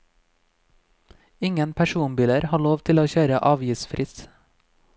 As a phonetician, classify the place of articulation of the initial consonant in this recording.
velar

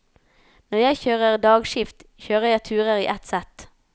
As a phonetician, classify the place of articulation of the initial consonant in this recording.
alveolar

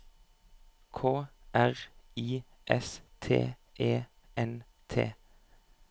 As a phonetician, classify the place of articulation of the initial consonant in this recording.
velar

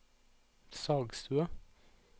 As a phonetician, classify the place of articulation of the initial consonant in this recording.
alveolar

